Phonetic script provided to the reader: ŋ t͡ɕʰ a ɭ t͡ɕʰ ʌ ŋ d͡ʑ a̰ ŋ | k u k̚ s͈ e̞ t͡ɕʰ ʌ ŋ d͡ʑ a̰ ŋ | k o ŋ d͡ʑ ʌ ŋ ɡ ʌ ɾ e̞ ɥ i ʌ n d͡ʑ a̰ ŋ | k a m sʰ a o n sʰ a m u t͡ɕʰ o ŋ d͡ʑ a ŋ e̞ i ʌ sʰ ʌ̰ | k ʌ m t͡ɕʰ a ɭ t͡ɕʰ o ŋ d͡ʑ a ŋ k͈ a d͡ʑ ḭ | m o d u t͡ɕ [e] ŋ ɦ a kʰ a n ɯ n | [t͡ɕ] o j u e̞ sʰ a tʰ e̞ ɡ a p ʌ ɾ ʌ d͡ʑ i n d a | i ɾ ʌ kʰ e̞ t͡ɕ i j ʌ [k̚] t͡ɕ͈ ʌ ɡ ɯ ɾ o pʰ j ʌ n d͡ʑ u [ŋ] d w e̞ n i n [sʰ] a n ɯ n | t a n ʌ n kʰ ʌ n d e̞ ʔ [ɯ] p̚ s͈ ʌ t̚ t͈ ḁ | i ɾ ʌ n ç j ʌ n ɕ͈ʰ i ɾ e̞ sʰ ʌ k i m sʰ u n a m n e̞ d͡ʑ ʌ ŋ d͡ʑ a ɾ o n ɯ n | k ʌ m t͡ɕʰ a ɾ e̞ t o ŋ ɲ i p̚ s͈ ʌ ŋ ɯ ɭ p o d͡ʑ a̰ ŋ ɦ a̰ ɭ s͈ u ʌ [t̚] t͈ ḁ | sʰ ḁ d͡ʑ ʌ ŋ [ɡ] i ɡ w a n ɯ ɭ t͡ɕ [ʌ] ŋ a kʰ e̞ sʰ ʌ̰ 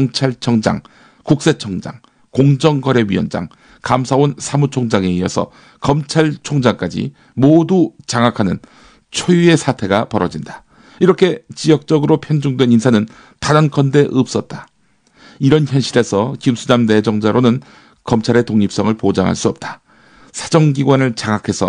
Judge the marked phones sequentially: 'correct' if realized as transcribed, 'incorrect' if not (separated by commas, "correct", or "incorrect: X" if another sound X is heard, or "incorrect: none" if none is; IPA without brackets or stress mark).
incorrect: a, incorrect: t͡ɕʰ, correct, correct, correct, correct, incorrect: p̚, correct, incorrect: a